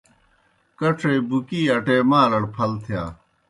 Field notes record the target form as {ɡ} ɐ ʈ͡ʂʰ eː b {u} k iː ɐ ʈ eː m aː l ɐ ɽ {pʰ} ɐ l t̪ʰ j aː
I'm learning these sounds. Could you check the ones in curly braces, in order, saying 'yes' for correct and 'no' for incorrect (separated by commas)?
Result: no, yes, yes